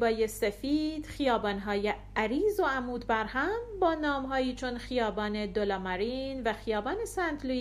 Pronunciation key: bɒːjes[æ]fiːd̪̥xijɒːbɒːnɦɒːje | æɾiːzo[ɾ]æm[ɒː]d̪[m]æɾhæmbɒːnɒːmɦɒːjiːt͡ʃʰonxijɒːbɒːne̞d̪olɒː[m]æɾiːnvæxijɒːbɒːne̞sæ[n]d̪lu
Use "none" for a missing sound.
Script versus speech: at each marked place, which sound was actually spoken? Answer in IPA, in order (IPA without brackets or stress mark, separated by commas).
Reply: e, none, uː, b, m, n